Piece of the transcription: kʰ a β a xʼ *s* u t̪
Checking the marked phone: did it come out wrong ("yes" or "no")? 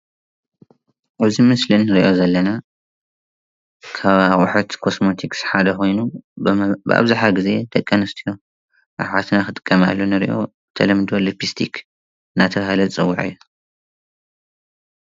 yes